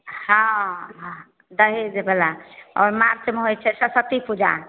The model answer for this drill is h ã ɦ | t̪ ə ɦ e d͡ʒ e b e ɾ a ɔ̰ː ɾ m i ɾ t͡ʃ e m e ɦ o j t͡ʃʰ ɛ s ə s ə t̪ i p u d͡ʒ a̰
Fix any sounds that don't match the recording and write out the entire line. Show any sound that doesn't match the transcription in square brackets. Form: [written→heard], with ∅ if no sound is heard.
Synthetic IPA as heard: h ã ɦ | [t̪→d̪] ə ɦ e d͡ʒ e b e [ɾ→l] a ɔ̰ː ɾ m [i→a] ɾ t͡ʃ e m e ɦ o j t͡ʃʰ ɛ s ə s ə t̪ i p u d͡ʒ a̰